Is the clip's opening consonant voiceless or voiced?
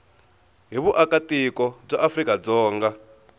voiced